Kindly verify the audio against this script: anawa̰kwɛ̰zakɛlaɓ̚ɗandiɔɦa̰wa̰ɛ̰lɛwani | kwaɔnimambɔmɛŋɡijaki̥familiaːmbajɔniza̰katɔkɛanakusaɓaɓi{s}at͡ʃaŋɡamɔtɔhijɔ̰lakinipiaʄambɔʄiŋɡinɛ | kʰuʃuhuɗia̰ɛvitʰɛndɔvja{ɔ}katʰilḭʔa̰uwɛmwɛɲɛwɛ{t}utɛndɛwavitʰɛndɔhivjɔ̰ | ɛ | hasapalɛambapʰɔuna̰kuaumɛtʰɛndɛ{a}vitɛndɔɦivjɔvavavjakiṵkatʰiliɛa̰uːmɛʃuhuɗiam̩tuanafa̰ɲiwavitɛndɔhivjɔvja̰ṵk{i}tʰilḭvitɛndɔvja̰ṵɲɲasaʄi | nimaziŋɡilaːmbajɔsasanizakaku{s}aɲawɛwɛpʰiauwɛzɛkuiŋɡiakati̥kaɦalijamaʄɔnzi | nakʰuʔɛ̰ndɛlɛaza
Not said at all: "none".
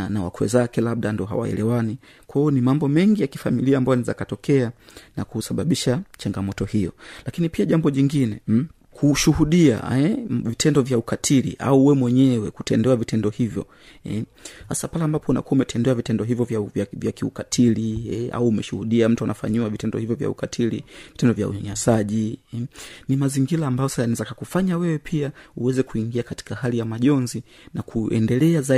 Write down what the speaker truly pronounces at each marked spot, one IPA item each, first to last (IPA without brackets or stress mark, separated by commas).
ʃ, u, k, a, a, f